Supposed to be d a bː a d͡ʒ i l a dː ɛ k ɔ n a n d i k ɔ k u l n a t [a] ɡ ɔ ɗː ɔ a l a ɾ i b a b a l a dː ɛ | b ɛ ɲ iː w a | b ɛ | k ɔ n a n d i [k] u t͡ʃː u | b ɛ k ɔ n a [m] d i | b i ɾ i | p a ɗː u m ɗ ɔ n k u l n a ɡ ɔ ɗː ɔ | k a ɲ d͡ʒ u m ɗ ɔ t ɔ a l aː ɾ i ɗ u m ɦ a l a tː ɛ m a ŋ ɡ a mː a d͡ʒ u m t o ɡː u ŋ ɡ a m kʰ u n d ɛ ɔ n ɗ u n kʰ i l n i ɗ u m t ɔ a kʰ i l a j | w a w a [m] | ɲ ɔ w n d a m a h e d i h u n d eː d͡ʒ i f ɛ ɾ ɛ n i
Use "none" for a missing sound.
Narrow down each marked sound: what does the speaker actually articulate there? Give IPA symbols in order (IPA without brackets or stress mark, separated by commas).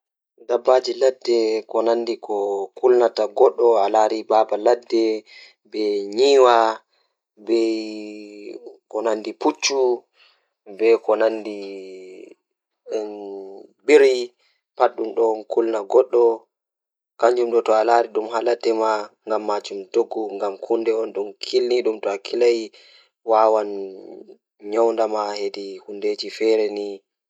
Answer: a, p, n, n